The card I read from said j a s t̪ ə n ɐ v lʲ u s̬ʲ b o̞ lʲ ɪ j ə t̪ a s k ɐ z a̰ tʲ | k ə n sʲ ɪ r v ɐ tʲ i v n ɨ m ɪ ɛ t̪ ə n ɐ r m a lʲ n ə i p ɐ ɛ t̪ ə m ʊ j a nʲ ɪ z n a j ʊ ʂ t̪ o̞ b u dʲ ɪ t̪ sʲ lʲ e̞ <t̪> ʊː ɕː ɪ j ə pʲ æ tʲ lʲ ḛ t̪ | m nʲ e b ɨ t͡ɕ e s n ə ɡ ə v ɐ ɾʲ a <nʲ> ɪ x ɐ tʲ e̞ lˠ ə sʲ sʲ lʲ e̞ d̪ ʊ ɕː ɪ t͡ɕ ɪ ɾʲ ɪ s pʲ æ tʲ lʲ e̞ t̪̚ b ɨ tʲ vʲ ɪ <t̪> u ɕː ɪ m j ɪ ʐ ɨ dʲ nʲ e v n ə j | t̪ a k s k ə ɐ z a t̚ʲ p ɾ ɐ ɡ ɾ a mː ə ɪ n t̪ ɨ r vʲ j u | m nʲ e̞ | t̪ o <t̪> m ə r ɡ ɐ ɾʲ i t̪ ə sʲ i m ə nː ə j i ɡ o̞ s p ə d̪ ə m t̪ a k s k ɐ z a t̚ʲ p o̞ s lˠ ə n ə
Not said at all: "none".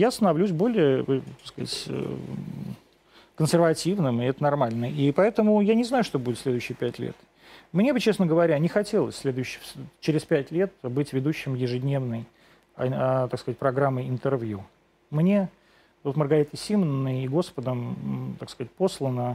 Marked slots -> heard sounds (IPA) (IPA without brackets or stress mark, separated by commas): d̪, nʲ, d̪, t̪